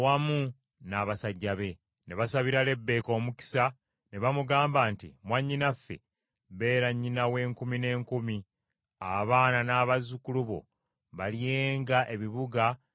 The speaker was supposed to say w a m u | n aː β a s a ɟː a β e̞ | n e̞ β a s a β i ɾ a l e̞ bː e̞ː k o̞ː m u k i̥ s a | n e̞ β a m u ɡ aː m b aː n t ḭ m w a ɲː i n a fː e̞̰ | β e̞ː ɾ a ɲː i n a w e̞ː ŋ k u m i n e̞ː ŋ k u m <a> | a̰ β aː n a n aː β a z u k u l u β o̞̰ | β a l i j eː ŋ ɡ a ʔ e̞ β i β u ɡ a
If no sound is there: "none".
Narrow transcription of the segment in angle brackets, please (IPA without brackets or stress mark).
i